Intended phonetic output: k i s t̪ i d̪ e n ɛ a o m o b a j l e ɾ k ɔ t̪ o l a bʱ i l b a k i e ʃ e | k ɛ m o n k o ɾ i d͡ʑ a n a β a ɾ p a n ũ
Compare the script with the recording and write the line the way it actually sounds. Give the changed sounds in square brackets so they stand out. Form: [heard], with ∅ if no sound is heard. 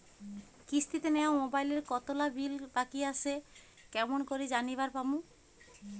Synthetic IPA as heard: k i s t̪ i [t̪] e n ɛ a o m o b a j l e ɾ k ɔ t̪ o l a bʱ i l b a k i [a] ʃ e | k ɛ m o n k o ɾ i d͡ʑ a n [i] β a ɾ p a [m] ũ